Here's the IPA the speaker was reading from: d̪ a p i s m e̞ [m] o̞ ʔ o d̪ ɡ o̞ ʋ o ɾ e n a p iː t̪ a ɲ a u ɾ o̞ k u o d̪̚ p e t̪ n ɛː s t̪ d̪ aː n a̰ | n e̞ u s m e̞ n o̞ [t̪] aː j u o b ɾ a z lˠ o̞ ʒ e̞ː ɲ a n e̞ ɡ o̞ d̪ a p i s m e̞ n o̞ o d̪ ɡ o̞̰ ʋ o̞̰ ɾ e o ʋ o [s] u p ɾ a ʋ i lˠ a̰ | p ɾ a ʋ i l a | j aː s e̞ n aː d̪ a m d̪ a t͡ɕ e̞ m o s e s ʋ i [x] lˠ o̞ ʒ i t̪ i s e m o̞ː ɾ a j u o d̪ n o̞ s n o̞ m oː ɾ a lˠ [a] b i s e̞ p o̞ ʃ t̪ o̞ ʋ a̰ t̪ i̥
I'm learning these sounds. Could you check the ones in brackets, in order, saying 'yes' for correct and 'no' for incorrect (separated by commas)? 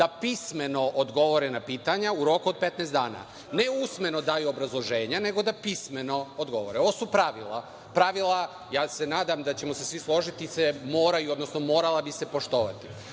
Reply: no, no, yes, no, yes